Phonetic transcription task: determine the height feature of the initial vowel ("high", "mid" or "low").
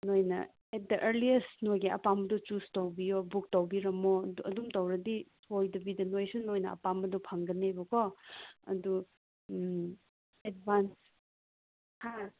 mid